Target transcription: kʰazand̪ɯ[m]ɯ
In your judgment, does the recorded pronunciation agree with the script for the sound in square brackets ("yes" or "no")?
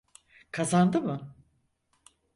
yes